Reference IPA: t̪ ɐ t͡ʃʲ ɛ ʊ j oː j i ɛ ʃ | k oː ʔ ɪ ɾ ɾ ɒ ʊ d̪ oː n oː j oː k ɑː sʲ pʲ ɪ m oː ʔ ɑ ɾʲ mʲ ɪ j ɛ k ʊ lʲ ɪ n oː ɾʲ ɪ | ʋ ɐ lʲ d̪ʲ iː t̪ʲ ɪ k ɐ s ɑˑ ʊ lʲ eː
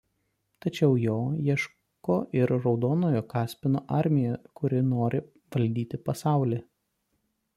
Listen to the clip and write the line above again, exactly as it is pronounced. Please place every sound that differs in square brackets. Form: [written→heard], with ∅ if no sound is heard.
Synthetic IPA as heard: t̪ ɐ t͡ʃʲ ɛ ʊ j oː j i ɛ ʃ | k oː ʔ ɪ ɾ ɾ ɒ ʊ d̪ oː n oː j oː k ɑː sʲ pʲ ɪ [m→n] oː ʔ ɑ ɾʲ mʲ ɪ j ɛ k ʊ [lʲ→ɾʲ] ɪ n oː ɾʲ ɪ | ʋ ɐ lʲ d̪ʲ iː t̪ʲ ɪ [k→p] ɐ s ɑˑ ʊ lʲ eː